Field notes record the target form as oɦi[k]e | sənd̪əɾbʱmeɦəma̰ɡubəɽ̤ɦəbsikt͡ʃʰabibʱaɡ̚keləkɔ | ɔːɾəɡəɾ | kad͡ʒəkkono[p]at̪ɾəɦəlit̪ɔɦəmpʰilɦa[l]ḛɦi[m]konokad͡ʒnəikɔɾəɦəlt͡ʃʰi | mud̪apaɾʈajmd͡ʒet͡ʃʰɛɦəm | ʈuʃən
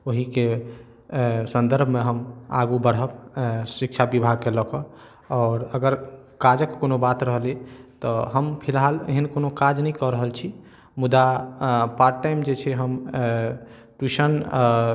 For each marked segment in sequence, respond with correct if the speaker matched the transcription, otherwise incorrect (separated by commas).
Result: correct, incorrect, correct, incorrect